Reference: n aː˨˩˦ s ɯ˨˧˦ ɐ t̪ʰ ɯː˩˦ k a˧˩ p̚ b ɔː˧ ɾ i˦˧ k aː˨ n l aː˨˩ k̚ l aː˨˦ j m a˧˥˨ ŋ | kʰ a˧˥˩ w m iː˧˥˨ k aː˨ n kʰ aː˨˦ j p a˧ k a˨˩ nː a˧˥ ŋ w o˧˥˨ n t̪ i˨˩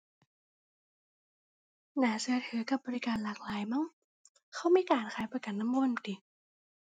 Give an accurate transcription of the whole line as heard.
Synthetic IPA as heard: n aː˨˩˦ s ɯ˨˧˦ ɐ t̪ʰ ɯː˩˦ k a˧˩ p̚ b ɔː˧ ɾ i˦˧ k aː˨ n l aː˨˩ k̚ l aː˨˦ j m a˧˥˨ ŋ | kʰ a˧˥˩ w m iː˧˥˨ k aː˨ n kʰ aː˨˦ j p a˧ k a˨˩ nː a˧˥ m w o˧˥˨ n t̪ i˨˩